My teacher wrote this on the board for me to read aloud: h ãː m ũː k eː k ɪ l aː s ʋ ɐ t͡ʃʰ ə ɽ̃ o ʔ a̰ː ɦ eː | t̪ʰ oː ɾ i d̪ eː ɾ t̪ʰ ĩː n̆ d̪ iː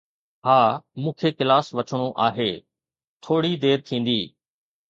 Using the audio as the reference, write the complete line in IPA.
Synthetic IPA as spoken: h aː m ũː kʰ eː k ɪ l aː s ʋ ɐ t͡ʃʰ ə ɽ̃ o ʔ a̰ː ɦ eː | t̪ʰ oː ɽ i d̪ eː ɾ t̪ʰ ĩː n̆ d̪ iː